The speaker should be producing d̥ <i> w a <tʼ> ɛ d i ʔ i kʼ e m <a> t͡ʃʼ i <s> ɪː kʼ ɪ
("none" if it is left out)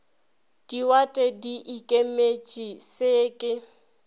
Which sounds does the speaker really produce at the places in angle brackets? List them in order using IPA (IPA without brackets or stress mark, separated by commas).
i, tʼ, e, s